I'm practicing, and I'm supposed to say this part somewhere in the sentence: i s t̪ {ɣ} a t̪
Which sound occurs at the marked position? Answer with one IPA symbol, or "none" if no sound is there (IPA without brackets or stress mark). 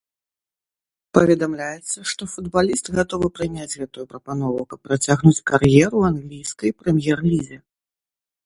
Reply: ɣ